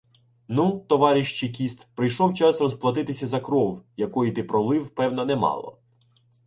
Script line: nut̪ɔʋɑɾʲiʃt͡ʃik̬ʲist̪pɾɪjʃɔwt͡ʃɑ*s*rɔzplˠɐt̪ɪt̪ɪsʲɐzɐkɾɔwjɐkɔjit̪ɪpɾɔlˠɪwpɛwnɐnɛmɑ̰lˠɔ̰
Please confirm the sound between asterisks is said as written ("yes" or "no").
yes